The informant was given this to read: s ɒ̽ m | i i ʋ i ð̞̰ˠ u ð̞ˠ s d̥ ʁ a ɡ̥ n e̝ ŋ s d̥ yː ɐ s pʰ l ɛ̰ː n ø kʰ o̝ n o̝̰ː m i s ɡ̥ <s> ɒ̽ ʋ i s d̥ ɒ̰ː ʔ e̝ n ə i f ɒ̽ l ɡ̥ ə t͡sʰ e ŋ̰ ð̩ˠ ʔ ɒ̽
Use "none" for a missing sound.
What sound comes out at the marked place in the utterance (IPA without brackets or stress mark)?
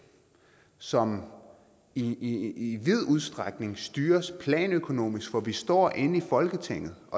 f